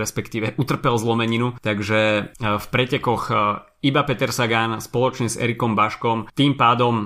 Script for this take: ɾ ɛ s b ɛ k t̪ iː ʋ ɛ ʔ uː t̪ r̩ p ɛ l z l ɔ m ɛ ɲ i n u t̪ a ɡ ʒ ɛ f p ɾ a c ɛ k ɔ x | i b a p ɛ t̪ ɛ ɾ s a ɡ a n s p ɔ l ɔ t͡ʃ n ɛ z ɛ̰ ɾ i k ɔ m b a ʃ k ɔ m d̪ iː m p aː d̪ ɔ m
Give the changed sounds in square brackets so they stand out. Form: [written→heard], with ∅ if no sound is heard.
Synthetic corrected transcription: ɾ ɛ s [b→p] ɛ k t̪ iː ʋ ɛ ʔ [uː→u] t̪ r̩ p ɛ l z l ɔ m ɛ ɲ i n u t̪ a ɡ ʒ ɛ f p ɾ [a→ɛ] c ɛ k ɔ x | i b a p ɛ t̪ ɛ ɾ s a ɡ a n s p ɔ l ɔ t͡ʃ [n→ɲ] ɛ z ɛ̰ ɾ i k ɔ m b a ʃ k ɔ m [d̪→t̪] iː m p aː d̪ ɔ m